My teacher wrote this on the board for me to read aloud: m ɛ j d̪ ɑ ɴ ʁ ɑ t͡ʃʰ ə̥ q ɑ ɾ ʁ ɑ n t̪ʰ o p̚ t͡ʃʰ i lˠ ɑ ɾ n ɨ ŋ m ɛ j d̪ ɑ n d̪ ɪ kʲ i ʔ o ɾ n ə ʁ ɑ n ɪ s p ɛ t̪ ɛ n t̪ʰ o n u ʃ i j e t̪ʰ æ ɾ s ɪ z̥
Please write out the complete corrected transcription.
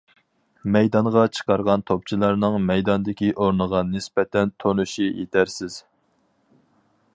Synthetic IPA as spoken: m ɛ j d̪ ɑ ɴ ʁ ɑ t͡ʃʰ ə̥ q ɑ ɾ ʁ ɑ n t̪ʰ o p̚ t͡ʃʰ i lˠ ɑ ɾ n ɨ ŋ m ɛ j d̪ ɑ n d̪ ɪ kʲ i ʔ o ɾ n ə ʁ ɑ n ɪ s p ɛ t̪ ɛ n t̪ʰ o n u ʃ i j e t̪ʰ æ ɾ s ɪ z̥